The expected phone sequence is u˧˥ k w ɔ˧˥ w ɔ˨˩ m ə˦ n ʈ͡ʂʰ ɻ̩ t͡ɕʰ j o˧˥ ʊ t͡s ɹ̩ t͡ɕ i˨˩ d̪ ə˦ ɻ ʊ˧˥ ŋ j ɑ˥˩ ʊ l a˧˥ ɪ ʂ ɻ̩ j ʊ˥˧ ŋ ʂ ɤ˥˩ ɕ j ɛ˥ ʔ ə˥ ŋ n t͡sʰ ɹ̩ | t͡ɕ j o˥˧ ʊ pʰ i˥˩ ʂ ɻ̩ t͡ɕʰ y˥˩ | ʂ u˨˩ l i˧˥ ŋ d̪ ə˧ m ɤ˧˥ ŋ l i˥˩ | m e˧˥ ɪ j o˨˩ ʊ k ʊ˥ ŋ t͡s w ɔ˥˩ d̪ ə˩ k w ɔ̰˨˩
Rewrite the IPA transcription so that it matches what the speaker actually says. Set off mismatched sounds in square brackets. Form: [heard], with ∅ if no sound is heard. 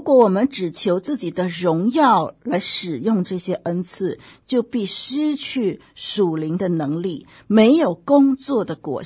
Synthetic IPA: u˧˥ k w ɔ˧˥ w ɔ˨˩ m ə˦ n [ʈ͡ʂ] ɻ̩ t͡ɕʰ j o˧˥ ʊ t͡s ɹ̩ t͡ɕ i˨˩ d̪ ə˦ ɻ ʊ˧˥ ŋ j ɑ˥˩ ʊ l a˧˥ ɪ ʂ ɻ̩ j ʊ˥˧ ŋ [ʈ͡ʂ] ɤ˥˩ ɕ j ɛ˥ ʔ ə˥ [∅] n t͡sʰ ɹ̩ | t͡ɕ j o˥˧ ʊ [p] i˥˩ ʂ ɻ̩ t͡ɕʰ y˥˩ | ʂ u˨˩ l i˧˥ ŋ d̪ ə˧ [n] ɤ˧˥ ŋ l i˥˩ | m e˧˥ ɪ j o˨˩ ʊ k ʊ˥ ŋ t͡s w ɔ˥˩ d̪ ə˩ k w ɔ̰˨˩